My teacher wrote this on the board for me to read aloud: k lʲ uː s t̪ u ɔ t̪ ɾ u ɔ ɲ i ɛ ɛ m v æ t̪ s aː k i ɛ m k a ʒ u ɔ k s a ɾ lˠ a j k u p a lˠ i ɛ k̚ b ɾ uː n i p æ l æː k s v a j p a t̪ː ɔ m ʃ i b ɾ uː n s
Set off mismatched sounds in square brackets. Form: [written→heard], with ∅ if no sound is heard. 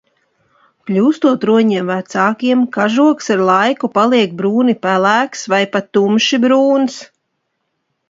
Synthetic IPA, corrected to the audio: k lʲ uː s t̪ u ɔ t̪ ɾ u ɔ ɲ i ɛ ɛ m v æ t̪ s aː k i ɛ m k a ʒ u ɔ k s a ɾ lˠ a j k u p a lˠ i ɛ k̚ b ɾ uː n i p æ l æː k s v a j p a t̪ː [ɔ→u] m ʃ i b ɾ uː n s